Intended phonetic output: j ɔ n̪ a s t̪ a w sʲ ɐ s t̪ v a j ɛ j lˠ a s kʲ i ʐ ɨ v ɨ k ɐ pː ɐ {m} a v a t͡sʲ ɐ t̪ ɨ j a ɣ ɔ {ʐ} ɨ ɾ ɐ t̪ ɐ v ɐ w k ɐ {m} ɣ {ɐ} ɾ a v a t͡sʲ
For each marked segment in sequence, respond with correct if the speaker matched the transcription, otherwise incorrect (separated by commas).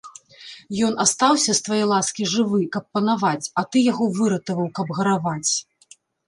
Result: incorrect, incorrect, incorrect, correct